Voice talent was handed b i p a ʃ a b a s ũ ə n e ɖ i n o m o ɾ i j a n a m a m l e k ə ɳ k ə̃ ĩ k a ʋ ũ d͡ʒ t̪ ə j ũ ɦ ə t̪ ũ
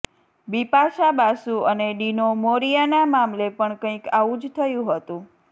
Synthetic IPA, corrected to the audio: b i p a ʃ a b a s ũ ə n e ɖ i n o m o ɾ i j a n a m a m l e p ə ɳ k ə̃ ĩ k a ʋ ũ d͡ʒ t̪ʰ ə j ũ ɦ ə t̪ ũ

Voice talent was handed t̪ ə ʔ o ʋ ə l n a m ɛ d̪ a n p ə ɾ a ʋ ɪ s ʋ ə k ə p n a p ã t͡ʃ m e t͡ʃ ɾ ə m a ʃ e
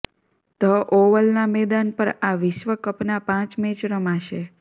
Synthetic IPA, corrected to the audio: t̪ ə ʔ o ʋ ə l n a m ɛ d̪ a n p ə ɾ a ʋ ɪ ʃ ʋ ə k ə p n a p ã t͡ʃ m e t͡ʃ ɾ ə m a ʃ e

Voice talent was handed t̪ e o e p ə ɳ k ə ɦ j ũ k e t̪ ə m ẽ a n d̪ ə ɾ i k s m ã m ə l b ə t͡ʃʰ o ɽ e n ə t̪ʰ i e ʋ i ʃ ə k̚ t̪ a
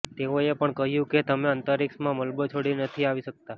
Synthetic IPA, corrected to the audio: t̪ e o e p ə ɳ k ə ɦ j ũ k e t̪ ə m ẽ ə n t̪ ə ɾ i k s m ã m ə l b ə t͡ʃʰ o ɽ i n ə t̪ʰ i a ʋ i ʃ ə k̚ t̪ a

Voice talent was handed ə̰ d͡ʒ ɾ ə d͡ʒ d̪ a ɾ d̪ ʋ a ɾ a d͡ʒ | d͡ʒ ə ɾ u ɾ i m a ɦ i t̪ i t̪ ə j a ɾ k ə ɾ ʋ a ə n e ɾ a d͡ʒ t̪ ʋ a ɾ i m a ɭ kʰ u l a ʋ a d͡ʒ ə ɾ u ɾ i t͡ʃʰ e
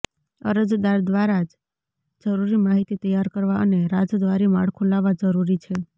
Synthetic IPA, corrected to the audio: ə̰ ɾ ə d͡ʒ d̪ a ɾ d̪ ʋ a ɾ a d͡ʒ | d͡ʒ ə ɾ u ɾ i m a ɦ i t̪ i t̪ ə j a ɾ k ə ɾ ʋ a ə n e ɾ a d͡ʒ d̪ ʋ a ɾ i m a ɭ kʰ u l a ʋ a d͡ʒ ə ɾ u ɾ i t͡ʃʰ e

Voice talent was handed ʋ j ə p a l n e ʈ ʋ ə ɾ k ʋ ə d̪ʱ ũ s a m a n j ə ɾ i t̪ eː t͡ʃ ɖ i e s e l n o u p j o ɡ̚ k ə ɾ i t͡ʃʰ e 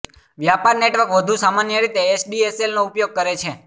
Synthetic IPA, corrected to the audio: ʋ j a p a ɾ n e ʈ ʋ ə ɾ k ʋ ə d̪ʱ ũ s a m a n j ə ɾ i t̪ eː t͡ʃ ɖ i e s e l n o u p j o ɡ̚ k ə ɾ e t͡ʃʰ e

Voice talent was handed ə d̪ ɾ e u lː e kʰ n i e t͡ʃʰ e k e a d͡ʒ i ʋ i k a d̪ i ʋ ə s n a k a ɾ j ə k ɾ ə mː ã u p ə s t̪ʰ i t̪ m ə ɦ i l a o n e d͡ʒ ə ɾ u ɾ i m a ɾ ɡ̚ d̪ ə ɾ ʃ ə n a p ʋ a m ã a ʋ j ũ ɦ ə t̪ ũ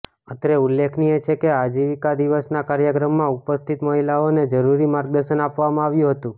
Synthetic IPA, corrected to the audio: ə t̪ ɾ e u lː e kʰ n i e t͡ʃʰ e k e a d͡ʒ i ʋ i k a d̪ i ʋ ə s n a k a ɾ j ə k ɾ ə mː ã u p ə s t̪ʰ i t̪ m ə ɦ i l a o n e d͡ʒ ə ɾ u ɾ i m a ɾ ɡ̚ d̪ ə ɾ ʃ ə n a p ʋ a m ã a ʋ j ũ ɦ ə t̪ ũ

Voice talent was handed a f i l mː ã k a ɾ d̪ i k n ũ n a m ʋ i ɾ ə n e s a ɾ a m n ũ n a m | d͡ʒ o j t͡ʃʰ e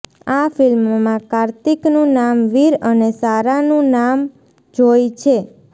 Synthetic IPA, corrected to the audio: a f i l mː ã k a ɾ t̪ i k n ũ n a m ʋ i ɾ ə n e s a ɾ a n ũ n a m | d͡ʒ o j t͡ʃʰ e

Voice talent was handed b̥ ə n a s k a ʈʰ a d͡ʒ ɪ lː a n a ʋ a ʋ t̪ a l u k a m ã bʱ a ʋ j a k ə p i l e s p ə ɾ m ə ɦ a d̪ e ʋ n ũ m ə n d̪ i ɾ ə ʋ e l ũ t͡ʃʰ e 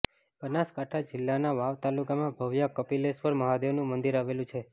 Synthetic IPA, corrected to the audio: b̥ ə n a s k a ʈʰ a d͡ʒ ɪ lː a n a ʋ a ʋ t̪ a l u k a m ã bʱ ə ʋ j a k ə p i l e s p ə ɾ m ə ɦ a d̪ e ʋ n ũ m ə n d̪ i ɾ a ʋ e l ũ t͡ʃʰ e

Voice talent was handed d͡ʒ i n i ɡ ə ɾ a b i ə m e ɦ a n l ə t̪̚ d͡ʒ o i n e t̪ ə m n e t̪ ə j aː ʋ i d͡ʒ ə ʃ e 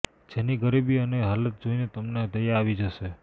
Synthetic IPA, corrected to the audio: d͡ʒ e n i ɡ ə ɾ i b i ə n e ɦ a l ə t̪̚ d͡ʒ o i n e t̪ ə m n e d̪ ə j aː ʋ i d͡ʒ ə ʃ e

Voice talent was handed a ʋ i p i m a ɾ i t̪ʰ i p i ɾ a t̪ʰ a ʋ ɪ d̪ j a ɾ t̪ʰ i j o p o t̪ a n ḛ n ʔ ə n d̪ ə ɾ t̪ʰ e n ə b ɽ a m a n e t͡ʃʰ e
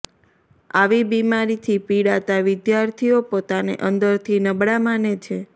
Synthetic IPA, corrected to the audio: a ʋ i b i m a ɾ i t̪ʰ i p i ɽ a t̪ a ʋ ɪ d̪ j a ɾ t̪ʰ i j o p o t̪ a n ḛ ʔ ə n d̪ ə ɾ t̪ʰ i n ə b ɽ a m a n e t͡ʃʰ e

